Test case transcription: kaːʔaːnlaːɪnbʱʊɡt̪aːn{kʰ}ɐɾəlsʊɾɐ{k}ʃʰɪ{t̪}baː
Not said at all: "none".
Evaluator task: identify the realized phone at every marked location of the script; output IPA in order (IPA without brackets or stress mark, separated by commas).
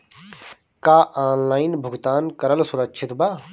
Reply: k, k, t̪